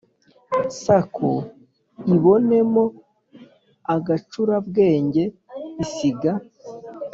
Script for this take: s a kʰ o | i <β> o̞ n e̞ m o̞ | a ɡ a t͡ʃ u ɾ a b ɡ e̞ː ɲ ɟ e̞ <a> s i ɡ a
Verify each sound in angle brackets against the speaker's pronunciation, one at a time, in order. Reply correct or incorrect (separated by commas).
correct, incorrect